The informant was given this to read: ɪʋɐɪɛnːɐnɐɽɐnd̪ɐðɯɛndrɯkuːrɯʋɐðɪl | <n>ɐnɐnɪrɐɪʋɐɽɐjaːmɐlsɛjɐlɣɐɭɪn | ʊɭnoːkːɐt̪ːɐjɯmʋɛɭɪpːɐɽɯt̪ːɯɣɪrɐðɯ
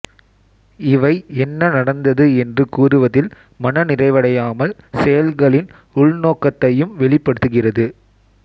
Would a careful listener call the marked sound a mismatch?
yes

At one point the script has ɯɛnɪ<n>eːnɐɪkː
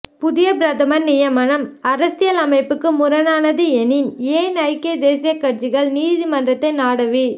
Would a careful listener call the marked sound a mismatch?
no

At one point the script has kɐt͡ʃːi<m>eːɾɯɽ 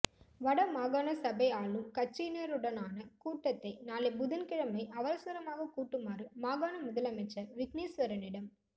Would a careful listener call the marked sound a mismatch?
yes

